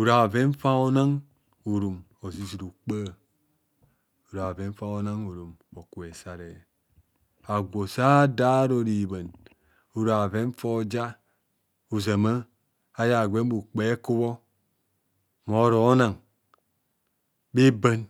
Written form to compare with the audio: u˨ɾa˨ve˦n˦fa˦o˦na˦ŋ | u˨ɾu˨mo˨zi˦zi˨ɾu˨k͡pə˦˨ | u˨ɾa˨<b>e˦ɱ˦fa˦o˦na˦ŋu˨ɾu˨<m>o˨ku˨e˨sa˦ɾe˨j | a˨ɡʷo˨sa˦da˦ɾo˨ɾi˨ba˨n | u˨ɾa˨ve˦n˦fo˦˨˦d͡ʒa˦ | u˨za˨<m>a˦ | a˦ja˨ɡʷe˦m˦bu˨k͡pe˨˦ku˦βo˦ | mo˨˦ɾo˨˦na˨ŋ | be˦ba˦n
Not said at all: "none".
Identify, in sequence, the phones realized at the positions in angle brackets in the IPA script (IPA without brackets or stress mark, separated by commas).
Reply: v, m, m